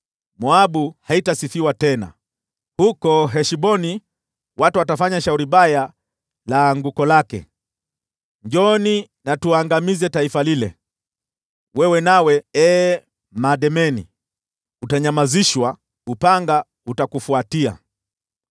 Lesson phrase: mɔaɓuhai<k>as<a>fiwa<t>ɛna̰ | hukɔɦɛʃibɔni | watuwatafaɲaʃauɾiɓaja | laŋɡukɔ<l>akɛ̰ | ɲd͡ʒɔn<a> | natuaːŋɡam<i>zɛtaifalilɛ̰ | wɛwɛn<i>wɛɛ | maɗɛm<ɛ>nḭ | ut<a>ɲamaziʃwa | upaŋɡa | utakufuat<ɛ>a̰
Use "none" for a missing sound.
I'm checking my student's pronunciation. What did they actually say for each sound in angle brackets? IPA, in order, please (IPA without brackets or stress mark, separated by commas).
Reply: t, i, t, l, i, i, a, ɛ, a, i